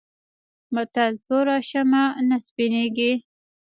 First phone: m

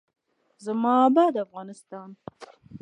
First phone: z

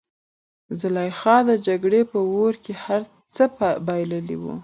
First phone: z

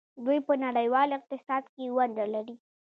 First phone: d̪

